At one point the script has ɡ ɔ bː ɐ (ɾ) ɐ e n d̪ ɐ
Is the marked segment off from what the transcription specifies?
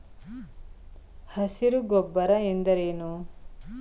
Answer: no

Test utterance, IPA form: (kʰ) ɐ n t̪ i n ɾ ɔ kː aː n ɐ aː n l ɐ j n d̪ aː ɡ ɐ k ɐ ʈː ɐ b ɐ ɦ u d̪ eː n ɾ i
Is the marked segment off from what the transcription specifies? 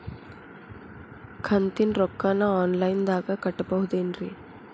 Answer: no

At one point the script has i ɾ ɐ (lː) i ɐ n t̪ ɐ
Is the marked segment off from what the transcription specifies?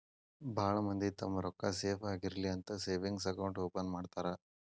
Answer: yes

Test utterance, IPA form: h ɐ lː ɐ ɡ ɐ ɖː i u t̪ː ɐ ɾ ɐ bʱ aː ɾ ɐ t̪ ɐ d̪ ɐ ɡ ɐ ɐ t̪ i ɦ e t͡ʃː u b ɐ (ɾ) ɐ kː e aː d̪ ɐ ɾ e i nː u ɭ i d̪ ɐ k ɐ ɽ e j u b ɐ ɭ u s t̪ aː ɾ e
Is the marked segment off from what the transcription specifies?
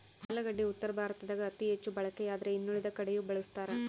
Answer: yes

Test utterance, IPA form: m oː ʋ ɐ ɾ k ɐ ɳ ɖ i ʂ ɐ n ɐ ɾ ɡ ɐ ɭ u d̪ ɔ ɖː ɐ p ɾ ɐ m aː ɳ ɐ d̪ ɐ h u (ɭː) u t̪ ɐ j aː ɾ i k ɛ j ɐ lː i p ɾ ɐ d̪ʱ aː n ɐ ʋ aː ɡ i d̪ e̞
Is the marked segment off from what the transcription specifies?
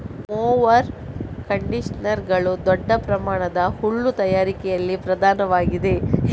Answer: no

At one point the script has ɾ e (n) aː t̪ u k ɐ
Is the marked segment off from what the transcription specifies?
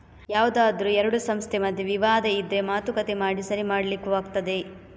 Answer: yes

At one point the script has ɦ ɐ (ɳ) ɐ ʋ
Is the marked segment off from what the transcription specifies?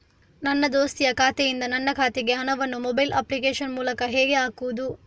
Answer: yes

